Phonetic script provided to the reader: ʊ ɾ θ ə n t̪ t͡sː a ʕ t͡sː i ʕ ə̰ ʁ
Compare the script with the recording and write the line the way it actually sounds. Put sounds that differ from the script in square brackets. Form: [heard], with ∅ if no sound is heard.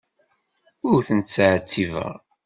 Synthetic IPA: ʊ ɾ θ ə n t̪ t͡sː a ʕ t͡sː i [v] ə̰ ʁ